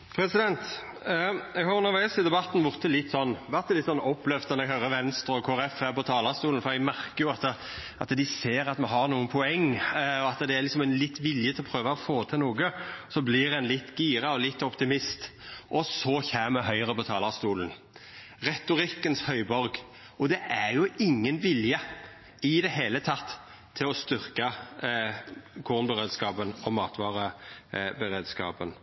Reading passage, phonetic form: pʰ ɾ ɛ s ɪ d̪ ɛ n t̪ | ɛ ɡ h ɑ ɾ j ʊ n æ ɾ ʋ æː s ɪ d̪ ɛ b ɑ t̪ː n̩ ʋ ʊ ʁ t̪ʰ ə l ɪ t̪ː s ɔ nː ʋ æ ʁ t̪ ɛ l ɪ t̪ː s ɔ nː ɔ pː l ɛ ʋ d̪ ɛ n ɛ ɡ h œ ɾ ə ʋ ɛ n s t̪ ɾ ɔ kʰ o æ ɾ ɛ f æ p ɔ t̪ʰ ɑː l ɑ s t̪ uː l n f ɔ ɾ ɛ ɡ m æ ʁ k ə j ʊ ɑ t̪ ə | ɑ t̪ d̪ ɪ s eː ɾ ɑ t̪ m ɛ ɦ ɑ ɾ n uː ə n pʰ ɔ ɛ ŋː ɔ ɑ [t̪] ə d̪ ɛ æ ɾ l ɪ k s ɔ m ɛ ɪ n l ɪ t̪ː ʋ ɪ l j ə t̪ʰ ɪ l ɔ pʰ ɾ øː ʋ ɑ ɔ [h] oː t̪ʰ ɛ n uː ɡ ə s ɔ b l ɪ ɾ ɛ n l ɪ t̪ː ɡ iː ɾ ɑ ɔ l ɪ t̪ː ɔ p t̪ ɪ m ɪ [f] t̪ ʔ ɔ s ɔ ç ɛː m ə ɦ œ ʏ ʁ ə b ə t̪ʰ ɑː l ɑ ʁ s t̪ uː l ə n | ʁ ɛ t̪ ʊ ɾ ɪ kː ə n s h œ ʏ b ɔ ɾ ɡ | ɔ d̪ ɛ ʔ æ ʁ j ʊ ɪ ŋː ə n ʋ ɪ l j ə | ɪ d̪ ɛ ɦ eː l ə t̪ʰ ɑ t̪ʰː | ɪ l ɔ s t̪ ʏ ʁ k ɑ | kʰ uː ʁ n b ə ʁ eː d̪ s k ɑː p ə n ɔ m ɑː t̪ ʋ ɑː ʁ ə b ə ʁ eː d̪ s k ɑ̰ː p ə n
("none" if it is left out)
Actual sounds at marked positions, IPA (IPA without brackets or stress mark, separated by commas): t̪, f, s